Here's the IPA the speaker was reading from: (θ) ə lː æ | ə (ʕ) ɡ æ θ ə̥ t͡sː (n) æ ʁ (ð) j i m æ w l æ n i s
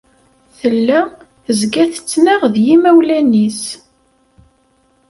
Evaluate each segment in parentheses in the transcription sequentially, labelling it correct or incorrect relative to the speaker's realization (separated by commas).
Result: correct, incorrect, correct, correct